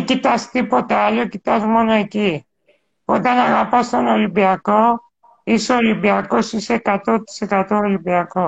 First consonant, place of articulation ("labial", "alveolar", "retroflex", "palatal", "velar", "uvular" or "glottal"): velar